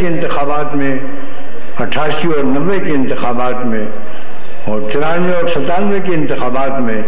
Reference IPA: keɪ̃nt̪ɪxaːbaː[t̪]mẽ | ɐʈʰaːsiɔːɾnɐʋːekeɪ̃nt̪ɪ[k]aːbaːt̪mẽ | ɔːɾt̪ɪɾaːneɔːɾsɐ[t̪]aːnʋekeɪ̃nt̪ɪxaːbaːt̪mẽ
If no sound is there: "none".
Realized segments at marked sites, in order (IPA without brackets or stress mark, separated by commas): t̪, x, t̪